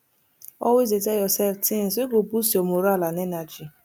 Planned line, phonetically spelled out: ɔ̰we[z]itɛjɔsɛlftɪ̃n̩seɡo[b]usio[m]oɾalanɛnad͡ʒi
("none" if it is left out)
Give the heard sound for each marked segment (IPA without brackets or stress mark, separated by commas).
z, b, m